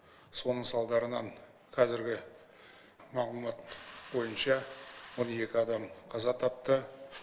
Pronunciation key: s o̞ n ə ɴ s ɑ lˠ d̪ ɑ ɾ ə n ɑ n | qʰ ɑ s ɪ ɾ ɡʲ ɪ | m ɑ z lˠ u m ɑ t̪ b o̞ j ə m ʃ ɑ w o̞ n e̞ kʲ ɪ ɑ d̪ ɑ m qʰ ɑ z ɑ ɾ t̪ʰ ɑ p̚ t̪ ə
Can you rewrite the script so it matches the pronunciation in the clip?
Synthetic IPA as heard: s o̞ n ə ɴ s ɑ lˠ d̪ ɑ ɾ ə n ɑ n | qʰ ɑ z ɪ ɾ ɡʲ ɪ | m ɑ ʁ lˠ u m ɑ t̪ b o̞ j ə n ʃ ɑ w o̞ n e̞ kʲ ɪ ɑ d̪ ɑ m qʰ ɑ z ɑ t̪ʰ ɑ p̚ t̪ ə